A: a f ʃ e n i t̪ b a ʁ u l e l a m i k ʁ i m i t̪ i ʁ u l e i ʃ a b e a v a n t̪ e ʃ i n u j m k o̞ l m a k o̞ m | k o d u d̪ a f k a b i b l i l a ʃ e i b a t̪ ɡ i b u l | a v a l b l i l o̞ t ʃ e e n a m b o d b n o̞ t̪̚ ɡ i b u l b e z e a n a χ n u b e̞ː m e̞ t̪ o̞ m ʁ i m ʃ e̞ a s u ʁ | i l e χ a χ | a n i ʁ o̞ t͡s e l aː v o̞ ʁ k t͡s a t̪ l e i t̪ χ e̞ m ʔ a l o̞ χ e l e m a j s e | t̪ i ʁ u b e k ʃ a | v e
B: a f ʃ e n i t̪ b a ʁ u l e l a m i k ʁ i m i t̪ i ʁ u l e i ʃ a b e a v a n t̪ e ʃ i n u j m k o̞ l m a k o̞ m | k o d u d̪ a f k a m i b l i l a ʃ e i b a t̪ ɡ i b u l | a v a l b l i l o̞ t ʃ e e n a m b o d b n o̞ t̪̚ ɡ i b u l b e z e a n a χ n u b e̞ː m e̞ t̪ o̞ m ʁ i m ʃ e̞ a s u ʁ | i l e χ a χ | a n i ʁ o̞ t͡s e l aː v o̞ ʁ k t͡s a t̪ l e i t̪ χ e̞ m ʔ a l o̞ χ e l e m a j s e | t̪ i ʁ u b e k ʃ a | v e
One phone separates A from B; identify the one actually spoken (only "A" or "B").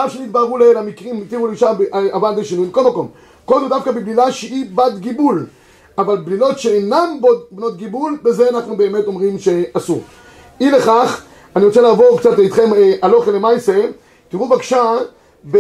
A